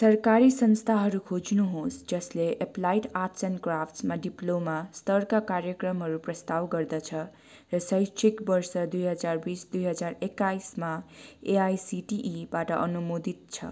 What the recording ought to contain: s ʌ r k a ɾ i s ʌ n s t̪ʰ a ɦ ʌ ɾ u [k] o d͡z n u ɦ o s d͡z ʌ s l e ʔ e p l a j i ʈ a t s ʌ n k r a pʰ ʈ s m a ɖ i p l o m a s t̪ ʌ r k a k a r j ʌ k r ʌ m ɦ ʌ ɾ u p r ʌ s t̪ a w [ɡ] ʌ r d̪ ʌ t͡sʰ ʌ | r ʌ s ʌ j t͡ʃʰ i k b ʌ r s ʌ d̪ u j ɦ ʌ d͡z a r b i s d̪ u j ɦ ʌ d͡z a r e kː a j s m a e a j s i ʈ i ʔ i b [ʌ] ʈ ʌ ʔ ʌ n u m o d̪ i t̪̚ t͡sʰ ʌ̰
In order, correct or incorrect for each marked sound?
incorrect, correct, incorrect

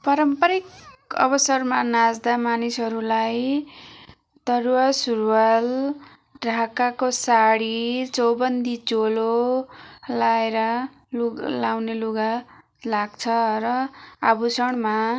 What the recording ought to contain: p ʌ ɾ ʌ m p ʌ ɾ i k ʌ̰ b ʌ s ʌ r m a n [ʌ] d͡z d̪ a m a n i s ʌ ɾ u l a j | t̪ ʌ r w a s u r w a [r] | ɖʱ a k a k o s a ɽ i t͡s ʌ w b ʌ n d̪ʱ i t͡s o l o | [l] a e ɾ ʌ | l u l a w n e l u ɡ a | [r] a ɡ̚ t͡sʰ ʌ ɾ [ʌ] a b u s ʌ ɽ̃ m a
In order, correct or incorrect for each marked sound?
incorrect, incorrect, correct, incorrect, correct

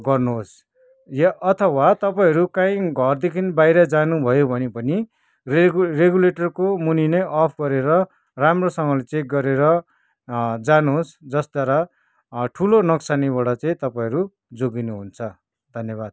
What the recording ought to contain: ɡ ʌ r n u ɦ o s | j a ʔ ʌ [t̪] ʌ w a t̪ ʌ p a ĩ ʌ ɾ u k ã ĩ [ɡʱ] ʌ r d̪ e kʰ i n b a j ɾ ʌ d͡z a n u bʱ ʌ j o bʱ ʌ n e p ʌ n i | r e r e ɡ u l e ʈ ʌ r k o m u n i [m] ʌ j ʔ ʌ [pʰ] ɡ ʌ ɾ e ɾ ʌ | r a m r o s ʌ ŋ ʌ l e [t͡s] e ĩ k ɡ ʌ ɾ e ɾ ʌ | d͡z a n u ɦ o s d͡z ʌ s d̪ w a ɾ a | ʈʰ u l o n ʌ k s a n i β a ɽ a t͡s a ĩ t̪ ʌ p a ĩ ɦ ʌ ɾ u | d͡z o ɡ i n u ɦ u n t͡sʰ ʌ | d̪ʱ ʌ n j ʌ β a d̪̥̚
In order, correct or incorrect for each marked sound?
incorrect, correct, incorrect, correct, correct

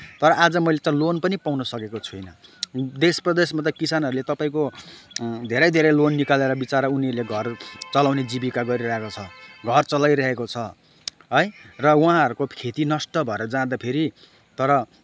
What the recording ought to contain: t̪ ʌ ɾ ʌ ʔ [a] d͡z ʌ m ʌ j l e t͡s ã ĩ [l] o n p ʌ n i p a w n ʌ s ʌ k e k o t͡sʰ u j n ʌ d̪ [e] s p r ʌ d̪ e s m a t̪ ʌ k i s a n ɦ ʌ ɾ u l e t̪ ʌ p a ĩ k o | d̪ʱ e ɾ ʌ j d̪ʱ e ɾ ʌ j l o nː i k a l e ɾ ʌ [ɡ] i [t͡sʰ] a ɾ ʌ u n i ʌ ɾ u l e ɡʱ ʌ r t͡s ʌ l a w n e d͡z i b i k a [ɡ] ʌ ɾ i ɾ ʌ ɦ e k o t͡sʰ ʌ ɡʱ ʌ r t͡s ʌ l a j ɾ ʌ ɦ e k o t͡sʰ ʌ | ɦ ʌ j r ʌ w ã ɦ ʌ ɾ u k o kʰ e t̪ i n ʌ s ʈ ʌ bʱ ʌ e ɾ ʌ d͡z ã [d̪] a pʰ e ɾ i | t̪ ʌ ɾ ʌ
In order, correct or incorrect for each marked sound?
correct, correct, correct, incorrect, incorrect, correct, correct

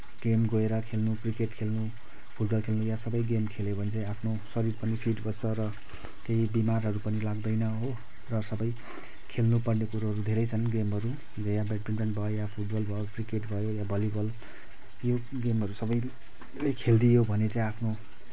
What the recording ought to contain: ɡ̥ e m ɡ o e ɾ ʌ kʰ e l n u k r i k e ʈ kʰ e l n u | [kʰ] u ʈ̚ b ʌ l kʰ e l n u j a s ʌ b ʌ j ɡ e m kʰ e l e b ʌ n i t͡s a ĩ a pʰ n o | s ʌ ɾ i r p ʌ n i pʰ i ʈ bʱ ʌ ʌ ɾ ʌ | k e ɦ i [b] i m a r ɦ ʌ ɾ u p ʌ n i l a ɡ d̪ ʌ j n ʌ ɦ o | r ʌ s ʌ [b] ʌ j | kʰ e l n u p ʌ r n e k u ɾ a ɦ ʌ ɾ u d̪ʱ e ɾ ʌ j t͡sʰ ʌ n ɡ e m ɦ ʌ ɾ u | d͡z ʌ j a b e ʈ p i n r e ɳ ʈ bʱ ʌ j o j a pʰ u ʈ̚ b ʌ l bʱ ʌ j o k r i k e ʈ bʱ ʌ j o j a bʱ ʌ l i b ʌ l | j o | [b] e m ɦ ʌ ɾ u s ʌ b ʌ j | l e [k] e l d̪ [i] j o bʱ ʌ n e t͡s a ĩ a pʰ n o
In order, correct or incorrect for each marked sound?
incorrect, correct, correct, incorrect, incorrect, correct

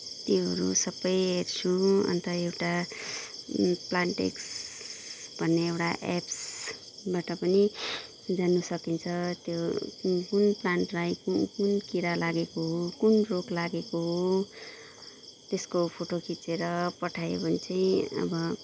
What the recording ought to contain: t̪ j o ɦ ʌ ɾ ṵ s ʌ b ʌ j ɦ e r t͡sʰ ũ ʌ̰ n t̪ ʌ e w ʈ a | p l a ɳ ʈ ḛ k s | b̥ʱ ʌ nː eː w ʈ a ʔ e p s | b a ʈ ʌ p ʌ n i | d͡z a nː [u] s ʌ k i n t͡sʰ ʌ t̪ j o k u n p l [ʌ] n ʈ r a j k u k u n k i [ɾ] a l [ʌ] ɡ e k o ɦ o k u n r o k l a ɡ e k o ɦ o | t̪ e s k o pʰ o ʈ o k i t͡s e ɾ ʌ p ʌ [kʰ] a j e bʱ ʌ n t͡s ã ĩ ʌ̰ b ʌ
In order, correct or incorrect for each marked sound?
correct, incorrect, correct, incorrect, incorrect

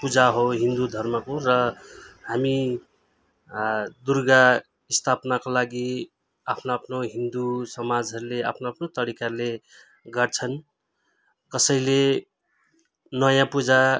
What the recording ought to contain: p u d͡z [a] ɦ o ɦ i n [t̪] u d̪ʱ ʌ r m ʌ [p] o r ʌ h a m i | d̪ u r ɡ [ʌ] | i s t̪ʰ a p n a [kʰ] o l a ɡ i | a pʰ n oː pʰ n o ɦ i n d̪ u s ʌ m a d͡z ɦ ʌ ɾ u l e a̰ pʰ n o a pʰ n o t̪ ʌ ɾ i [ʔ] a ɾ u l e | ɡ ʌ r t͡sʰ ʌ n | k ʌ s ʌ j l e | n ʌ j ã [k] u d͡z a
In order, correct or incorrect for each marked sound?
correct, incorrect, incorrect, incorrect, incorrect, incorrect, incorrect

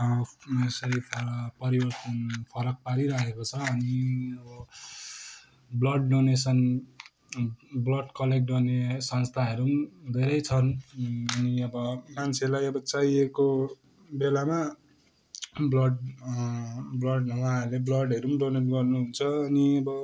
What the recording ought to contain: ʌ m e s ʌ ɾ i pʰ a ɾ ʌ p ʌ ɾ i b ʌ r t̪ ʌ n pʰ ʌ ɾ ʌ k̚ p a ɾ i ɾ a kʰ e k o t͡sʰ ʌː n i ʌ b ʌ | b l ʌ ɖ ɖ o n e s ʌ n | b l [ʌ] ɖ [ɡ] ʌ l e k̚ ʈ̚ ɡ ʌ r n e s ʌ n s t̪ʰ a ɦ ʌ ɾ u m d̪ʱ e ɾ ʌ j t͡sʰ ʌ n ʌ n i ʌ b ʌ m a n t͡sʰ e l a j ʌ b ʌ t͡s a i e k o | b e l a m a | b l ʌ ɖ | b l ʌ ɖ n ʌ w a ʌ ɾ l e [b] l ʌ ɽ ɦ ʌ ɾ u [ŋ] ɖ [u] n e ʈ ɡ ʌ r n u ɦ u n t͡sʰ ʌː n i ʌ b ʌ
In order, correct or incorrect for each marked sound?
correct, incorrect, correct, incorrect, incorrect

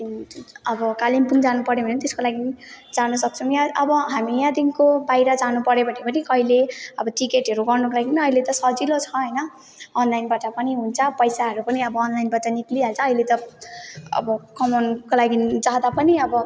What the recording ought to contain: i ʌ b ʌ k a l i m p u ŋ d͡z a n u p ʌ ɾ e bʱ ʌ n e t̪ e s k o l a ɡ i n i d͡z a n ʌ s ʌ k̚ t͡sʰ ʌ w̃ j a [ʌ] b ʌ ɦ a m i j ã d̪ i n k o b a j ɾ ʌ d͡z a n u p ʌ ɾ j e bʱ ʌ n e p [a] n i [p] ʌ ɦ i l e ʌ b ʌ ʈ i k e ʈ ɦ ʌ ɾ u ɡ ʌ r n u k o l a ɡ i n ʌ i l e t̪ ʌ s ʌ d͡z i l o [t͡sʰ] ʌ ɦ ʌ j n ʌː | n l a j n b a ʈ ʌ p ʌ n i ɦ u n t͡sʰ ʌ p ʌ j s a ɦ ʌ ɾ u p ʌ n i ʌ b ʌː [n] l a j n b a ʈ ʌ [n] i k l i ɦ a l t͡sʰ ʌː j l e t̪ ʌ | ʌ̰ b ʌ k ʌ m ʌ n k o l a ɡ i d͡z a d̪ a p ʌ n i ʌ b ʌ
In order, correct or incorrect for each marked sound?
correct, incorrect, incorrect, correct, correct, correct

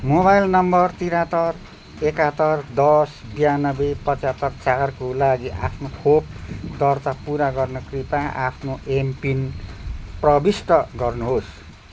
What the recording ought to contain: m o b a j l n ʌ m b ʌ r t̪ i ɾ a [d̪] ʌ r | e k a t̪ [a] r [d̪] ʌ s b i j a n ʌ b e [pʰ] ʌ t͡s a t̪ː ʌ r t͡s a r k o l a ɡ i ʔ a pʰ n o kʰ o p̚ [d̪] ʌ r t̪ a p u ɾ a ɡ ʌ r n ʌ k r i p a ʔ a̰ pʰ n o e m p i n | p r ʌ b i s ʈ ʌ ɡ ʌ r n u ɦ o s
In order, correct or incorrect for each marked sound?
incorrect, incorrect, correct, incorrect, correct

